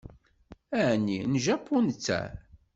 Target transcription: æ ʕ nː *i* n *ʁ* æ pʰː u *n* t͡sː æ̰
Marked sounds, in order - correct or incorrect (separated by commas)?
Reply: correct, incorrect, correct